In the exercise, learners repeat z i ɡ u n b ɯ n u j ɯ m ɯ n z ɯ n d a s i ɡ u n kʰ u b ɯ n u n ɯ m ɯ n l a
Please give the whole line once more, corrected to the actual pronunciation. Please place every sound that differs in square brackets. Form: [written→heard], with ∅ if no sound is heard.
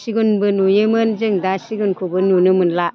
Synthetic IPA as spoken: [z→s] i ɡ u n b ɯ n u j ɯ m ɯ n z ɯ [n→ŋ] d a s i ɡ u n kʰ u b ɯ n u n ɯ m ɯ n l a